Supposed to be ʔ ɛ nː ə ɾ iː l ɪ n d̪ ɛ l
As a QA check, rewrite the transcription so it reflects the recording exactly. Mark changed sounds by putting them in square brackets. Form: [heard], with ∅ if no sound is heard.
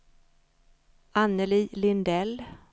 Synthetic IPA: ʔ [a] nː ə [l] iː l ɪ n d̪ ɛ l